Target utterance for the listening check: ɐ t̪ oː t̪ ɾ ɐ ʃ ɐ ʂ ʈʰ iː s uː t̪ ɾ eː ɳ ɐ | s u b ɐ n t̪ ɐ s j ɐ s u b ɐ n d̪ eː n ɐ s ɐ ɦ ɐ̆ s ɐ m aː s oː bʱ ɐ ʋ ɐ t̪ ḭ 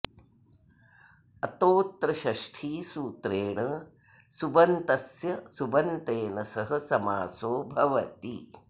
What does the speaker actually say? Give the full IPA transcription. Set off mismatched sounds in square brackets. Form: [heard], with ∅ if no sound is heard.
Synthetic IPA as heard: ɐ t̪ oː t̪ ɾ ɐ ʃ ɐ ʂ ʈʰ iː s uː t̪ ɾ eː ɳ ɐ | s u b ɐ n t̪ ɐ s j ɐ s u b ɐ n [t̪] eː n ɐ s ɐ ɦ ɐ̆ s ɐ m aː s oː bʱ ɐ ʋ ɐ t̪ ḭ